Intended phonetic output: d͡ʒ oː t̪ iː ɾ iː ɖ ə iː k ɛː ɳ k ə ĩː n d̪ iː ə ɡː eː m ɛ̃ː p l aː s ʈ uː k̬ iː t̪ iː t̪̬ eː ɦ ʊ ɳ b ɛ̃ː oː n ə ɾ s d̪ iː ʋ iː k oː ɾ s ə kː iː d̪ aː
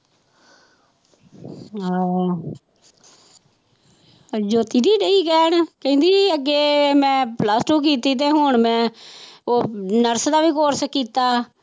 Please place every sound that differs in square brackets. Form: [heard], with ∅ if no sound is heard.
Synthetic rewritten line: d͡ʒ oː t̪ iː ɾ iː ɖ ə iː k ɛː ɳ k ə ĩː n d̪ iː ə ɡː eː m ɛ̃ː p l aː s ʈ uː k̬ iː t̪ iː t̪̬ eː ɦ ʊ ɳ [m] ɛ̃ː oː n ə ɾ s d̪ [aː] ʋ iː k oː ɾ s ə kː iː [t̪] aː